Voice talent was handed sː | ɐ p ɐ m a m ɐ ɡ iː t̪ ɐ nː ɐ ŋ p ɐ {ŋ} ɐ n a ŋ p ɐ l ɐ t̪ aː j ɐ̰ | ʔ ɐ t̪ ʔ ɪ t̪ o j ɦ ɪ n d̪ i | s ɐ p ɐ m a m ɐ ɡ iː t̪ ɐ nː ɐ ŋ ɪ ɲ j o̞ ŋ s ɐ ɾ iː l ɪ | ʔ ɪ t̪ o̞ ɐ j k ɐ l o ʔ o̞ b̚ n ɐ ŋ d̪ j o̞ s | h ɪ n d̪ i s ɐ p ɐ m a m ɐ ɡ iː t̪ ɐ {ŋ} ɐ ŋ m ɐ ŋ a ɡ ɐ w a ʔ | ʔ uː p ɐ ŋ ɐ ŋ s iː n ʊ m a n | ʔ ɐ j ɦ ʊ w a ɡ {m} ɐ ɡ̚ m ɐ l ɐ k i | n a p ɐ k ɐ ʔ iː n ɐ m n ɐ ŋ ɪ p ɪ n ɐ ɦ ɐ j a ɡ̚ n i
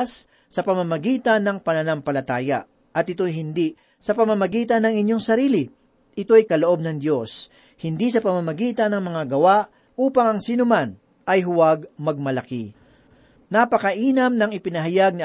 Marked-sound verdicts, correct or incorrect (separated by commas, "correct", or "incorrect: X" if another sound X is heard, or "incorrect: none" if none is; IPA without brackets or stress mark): incorrect: n, incorrect: n, correct